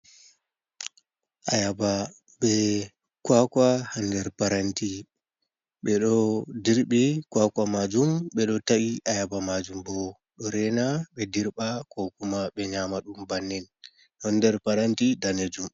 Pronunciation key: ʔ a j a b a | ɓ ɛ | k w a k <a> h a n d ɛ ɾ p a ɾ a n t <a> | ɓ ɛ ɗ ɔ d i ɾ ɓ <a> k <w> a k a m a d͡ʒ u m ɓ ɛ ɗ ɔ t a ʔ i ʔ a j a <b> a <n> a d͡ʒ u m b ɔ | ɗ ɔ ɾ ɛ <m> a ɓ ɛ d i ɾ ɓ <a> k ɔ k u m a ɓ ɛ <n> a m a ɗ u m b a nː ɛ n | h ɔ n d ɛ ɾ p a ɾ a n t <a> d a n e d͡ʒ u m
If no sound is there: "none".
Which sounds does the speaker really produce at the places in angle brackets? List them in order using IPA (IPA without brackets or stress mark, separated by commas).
a, i, i, w, b, m, n, a, ɲ, i